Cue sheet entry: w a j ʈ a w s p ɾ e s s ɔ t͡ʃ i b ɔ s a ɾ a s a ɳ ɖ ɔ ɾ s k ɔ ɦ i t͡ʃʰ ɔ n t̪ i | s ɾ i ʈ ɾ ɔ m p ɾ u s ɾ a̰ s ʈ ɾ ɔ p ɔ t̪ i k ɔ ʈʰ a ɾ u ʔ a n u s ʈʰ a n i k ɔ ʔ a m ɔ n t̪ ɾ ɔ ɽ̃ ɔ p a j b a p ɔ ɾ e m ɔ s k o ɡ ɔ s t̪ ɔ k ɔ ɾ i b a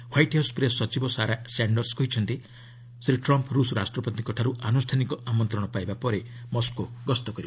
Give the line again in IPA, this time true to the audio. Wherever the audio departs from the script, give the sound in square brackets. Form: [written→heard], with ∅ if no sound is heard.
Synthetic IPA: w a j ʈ a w s p ɾ e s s ɔ t͡ʃ i b ɔ s a ɾ a s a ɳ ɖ ɔ ɾ s k ɔ ɦ i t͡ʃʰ ɔ n t̪ i | s ɾ i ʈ ɾ ɔ m p ɾ u s ɾ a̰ s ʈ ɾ ɔ p ɔ t̪ i k ɔ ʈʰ a ɾ u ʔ a n u s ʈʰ a n i k ɔ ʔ a m ɔ n t̪ ɾ ɔ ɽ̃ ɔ p a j b a p ɔ ɾ e m ɔ s k o ɡ ɔ s t̪ ɔ k ɔ ɾ i b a